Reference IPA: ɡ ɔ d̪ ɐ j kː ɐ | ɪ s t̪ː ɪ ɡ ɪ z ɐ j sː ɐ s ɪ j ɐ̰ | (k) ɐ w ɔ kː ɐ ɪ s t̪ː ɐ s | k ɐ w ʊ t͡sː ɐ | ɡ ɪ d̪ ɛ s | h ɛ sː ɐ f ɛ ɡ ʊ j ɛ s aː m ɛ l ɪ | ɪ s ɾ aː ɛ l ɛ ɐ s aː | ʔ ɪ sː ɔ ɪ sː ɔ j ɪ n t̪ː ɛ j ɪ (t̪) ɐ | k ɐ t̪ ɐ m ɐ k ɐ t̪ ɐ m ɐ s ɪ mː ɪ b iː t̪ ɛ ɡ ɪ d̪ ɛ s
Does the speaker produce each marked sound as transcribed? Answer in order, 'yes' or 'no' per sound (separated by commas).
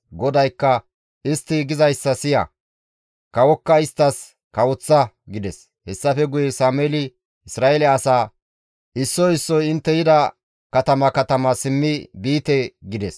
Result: yes, no